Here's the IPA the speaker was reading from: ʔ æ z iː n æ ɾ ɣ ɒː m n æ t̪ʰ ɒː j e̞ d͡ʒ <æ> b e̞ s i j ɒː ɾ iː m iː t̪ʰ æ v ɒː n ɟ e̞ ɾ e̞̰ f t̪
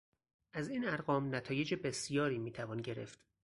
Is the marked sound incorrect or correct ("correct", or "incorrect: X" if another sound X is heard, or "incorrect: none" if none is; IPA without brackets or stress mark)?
incorrect: e